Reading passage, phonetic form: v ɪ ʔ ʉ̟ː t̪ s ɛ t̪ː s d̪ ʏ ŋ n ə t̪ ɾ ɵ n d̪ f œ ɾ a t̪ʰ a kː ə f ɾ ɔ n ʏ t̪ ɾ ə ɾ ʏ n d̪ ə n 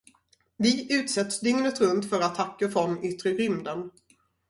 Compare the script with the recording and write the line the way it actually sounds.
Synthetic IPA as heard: v ɪ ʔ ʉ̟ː t̪ s ɛ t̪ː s d̪ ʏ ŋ n ə t̪ ɾ ɵ n t̪ f œ ɾ a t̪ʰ a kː ə f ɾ ɔ n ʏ t̪ ɾ ə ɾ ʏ m d̪ ə n

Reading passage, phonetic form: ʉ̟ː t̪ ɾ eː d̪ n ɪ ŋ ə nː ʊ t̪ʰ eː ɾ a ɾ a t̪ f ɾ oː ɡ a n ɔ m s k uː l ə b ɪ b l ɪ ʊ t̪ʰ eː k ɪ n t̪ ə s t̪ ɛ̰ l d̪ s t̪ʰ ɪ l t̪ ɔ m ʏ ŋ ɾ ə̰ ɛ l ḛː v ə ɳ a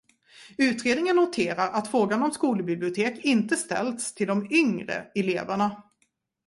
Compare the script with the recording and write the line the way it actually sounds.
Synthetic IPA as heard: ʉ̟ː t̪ ɾ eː d̪ n ɪ ŋ ə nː ʊ t̪ʰ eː ɾ a ɾ a t̪ f ɾ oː ɡ a n ɔ m s k uː l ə b ɪ b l ɪ ʊ t̪ʰ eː k ɪ n t̪ ə s t̪ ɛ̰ l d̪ s t̪ʰ ɪ l d̪ ɔ m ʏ ŋ ɾ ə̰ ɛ l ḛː v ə ɳ a

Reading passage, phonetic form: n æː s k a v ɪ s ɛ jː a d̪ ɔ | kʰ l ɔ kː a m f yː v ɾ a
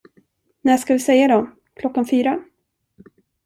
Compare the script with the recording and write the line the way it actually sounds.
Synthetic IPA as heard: n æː ʂ k a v ɪ s ɛ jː a d̪ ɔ | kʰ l ɔ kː a n f yː ɾ a

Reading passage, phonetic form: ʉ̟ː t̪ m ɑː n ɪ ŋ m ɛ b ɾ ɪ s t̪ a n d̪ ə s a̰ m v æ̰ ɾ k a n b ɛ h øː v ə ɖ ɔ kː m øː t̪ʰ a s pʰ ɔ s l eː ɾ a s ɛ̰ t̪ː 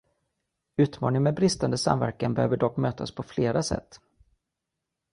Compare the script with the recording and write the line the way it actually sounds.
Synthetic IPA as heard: ʉ̟ː t̪ m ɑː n ɪ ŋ m ɛ b ɾ ɪ s t̪ a n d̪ ə s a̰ m v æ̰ ɾ k a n b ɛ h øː v ə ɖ ɔ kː m øː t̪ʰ a s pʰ ɔ f l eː ɾ a s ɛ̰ t̪ː

